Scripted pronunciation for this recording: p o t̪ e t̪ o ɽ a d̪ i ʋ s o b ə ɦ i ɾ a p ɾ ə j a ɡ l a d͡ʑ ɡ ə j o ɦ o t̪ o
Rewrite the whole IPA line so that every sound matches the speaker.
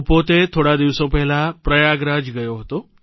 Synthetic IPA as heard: p o t̪ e t̪ʰ o ɽ a d̪ i ʋ s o p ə ɦ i l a p ɾ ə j a ɡ ɾ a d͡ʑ ɡ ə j o ɦ o t̪ o

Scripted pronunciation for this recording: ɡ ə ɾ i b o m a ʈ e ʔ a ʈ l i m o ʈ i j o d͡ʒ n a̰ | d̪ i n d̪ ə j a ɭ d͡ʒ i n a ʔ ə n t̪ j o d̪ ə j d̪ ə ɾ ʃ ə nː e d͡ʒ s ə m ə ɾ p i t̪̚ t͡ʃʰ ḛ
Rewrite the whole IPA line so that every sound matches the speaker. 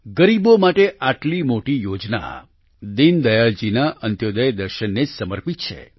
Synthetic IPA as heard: ɡ ə ɾ i b o m a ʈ e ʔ a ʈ l i m o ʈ i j o d͡ʒ n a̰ | d̪ i n d̪ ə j a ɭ d͡ʒ i n a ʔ ə n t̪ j o d̪ ə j d̪ ə ɾ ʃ ə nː e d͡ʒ s ə m ə ɾ p i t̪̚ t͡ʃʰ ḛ

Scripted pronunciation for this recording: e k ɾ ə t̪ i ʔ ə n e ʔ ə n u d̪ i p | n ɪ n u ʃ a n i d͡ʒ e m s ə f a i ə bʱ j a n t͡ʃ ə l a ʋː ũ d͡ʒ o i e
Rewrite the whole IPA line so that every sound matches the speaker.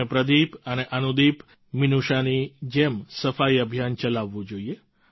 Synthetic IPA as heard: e p ɾ ə d̪ i p ə n e ʔ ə n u d̪ i p | m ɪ n u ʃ a n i d͡ʒ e m s ə f a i ə bʱ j a n t͡ʃ ə l a ʋː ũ d͡ʒ o i e

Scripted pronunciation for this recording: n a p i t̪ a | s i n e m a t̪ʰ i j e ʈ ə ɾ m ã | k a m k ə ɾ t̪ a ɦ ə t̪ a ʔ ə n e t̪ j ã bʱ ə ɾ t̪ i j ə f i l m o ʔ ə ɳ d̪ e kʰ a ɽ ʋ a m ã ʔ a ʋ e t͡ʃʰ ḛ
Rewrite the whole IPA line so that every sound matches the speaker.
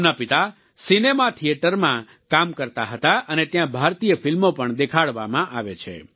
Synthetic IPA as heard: n a p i t̪ a | s i n e m a t̪ʰ i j e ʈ ə ɾ m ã | k a m k ə ɾ t̪ a ɦ ə t̪ a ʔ ə n e t̪ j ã bʱ a ɾ t̪ i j ə f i l m o p ə ɳ d̪ e kʰ a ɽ ʋ a m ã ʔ a ʋ e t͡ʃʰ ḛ

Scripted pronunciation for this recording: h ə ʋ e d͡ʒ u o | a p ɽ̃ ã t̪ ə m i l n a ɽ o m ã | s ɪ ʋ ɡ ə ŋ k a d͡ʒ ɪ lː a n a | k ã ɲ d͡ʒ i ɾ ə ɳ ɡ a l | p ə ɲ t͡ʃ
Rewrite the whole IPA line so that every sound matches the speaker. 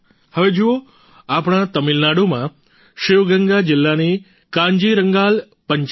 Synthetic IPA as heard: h ə ʋ e d͡ʒ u o | a p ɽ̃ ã t̪ ə m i l n a ɽ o m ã | ʃ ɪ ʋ ɡ ə ŋ ɡ a d͡ʒ ɪ lː a n i | k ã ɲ d͡ʒ i ɾ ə ŋ ɡ a l | p ə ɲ t͡ʃ

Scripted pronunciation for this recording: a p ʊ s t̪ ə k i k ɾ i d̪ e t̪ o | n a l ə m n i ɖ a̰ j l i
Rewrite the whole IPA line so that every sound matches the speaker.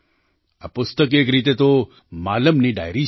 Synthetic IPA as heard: a p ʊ s t̪ ə k e k ɾ i t̪ e t̪ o | m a l ə m n i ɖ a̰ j ɾ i

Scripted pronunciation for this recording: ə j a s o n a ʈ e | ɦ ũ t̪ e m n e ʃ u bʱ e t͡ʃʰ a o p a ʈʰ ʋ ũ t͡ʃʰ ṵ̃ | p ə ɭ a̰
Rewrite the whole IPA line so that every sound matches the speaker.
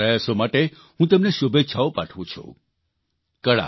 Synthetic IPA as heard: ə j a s o m a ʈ e | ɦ ũ t̪ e m n e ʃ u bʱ e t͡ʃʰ a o p a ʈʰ ʋ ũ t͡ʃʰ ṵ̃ | k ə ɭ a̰

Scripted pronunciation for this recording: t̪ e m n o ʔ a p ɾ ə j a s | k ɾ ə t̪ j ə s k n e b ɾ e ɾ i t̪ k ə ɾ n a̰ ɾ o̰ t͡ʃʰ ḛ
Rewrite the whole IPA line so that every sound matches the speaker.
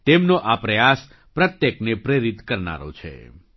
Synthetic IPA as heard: t̪ e m n o ʔ a p ɾ ə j a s | p ɾ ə t̪ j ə k n e p ɾ e ɾ i t̪ k ə ɾ n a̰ ɾ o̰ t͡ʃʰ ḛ

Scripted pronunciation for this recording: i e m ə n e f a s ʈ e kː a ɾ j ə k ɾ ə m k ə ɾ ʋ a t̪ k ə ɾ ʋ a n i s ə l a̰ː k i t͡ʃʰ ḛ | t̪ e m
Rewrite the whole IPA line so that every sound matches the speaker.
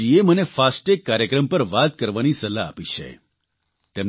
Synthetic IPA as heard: i e m ə n e f a s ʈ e kː a ɾ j ə k ɾ ə m p ə ɾ ʋ a t̪ k ə ɾ ʋ a n i s ə l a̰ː p i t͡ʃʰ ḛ | t̪ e m

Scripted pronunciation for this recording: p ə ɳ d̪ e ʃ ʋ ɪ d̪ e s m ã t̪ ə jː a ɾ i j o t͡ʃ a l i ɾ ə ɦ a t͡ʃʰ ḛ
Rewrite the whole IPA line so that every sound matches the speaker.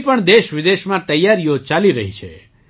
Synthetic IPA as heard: p ə ɳ d̪ e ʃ ʋ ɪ d̪ e ʃ m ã t̪ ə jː a ɾ i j o t͡ʃ a l i ɾ ə ɦ i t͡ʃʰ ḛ

